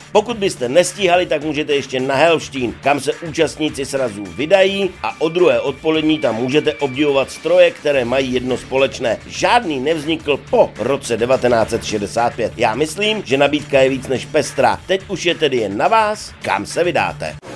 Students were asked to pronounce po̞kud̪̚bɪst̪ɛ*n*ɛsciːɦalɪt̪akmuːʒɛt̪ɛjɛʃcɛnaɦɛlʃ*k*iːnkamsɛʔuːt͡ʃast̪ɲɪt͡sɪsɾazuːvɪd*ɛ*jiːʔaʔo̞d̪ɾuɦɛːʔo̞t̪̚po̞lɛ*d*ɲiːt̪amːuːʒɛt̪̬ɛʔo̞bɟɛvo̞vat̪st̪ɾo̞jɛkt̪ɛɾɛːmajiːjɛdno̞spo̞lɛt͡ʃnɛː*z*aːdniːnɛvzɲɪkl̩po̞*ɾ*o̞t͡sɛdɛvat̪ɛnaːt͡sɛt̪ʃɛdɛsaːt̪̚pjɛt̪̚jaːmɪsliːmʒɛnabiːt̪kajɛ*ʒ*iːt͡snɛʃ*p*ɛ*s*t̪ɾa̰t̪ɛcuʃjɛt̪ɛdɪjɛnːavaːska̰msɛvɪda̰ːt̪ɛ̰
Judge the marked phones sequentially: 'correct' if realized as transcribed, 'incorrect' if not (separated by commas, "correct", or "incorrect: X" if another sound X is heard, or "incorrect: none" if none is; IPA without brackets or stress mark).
correct, incorrect: c, incorrect: a, correct, incorrect: ʒ, correct, incorrect: v, correct, correct